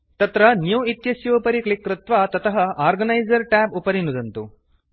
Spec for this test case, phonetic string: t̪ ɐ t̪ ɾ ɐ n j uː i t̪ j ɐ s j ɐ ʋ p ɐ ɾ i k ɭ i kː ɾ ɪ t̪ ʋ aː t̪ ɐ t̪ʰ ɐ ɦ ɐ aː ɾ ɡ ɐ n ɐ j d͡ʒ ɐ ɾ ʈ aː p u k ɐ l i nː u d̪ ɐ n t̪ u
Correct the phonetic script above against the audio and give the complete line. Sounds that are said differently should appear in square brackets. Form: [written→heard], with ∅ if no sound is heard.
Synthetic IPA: t̪ ɐ t̪ ɾ ɐ n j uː i t̪ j ɐ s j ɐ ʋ p ɐ ɾ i k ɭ i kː ɾ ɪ t̪ ʋ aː t̪ ɐ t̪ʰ ɐ ɦ ɐ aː ɾ ɡ ɐ n ɐ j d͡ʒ ɐ ɾ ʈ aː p u [k→p] ɐ [l→ɾ] i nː u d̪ ɐ n t̪ u